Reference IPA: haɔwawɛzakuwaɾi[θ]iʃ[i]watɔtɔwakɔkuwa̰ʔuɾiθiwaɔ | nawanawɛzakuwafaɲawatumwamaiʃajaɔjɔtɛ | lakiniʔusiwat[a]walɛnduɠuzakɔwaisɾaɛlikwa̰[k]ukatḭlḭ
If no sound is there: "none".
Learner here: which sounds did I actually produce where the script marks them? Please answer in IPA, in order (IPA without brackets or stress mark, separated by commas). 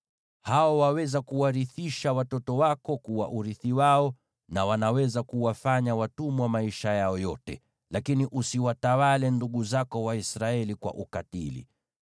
θ, a, a, ʔ